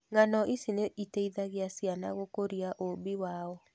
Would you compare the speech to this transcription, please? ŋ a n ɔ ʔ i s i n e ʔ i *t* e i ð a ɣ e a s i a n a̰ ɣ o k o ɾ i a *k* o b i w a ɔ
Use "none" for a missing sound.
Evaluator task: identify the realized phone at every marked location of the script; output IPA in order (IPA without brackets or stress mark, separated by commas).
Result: t, ʔ